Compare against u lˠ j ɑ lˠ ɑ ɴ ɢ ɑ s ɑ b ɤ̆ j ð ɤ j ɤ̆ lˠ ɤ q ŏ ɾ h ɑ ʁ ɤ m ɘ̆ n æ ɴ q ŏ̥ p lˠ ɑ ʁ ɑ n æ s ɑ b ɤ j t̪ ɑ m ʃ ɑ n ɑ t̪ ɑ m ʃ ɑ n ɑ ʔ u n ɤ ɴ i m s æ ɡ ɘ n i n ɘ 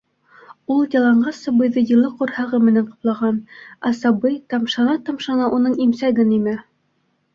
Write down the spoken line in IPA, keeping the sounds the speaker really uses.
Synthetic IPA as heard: u lˠ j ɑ lˠ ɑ ɴ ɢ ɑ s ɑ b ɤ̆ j ð ɤ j ɤ̆ lˠ ɤ q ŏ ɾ h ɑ ʁ ɤ m ɘ̆ n æ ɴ q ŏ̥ p lˠ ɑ ʁ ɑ n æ s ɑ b ɤ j t̪ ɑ m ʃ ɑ n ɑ t̪ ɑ m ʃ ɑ n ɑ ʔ u n ɤ ɴ i m s æ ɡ ɘ n i m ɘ